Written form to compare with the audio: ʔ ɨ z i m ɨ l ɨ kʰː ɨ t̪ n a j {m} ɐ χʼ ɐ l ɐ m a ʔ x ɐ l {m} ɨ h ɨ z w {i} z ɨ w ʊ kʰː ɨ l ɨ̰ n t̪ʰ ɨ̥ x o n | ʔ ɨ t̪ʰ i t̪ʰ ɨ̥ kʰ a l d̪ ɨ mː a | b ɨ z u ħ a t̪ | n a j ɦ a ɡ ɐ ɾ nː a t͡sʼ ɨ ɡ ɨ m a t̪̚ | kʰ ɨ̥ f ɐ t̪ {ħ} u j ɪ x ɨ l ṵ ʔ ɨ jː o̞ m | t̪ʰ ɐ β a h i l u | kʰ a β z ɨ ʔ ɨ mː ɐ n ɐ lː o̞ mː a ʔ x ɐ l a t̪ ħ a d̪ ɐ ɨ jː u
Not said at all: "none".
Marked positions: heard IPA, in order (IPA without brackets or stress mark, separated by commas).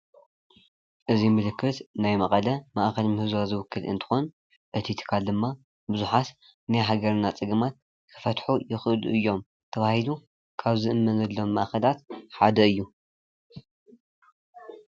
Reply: m, m, a, ħ